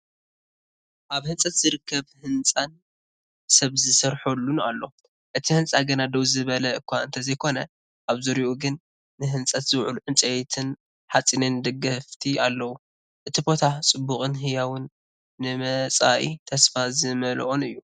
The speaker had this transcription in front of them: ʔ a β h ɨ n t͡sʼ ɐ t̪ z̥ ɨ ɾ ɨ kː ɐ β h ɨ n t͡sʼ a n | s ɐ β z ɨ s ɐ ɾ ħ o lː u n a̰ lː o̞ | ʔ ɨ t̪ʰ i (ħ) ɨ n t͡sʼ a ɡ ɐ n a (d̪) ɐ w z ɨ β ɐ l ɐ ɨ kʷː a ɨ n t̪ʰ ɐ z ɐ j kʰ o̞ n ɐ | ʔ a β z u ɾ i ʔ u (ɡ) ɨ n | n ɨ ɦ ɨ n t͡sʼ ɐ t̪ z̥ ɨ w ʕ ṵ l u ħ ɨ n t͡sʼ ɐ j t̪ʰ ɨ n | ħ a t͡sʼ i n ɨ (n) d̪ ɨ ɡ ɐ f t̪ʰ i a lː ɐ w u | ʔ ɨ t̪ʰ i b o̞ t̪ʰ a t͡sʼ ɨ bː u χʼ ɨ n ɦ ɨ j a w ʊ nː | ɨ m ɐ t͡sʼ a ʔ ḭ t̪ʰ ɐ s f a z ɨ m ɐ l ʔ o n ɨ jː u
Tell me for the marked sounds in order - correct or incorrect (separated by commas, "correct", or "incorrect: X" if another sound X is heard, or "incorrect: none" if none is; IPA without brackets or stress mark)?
incorrect: h, correct, correct, correct